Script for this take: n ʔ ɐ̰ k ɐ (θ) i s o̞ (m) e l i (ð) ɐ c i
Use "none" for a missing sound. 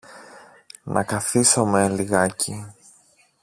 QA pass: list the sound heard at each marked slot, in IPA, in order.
θ, m, ɣ

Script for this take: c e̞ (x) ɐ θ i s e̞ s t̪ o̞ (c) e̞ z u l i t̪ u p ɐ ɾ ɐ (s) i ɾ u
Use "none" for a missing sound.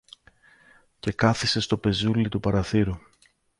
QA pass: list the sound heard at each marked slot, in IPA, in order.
k, p, θ

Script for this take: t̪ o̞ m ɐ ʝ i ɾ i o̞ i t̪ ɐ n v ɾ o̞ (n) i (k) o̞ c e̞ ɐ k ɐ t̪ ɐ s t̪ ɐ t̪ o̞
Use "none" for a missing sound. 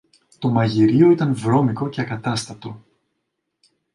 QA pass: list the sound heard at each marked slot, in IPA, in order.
m, k

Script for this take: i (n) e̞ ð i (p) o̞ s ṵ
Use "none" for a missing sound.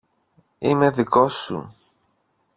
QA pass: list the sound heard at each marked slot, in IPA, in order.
m, k

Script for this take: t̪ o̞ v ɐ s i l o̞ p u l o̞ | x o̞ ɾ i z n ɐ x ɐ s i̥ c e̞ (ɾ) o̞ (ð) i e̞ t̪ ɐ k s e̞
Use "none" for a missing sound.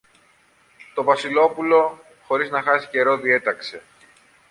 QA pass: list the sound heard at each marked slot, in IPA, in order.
ɾ, ð

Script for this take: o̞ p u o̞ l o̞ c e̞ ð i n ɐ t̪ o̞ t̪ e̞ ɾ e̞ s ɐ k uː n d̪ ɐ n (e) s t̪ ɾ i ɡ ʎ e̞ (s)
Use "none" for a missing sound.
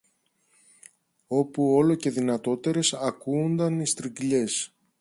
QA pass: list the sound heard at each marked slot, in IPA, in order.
i, s

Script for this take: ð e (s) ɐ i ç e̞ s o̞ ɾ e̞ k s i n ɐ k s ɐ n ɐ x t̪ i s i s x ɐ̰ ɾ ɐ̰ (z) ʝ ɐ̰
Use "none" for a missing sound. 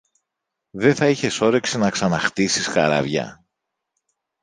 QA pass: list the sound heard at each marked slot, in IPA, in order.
θ, v

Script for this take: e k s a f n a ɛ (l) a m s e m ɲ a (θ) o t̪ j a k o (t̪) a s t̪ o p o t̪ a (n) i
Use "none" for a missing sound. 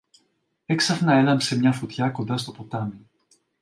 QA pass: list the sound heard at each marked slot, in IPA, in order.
l, f, d̪, m

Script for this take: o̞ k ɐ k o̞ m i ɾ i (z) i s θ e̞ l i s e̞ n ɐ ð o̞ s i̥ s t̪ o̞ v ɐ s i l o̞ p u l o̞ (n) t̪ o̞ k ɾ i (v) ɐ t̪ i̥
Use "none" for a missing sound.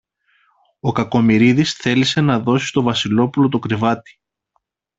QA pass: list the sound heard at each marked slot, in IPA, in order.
ð, none, v

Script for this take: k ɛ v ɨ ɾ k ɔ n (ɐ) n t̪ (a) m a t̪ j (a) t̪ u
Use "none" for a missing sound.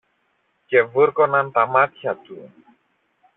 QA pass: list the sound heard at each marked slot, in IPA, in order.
a, a, a

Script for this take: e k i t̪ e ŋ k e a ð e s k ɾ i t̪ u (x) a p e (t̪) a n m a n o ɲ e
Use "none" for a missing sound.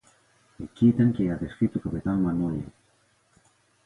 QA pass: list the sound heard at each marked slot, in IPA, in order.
k, t̪

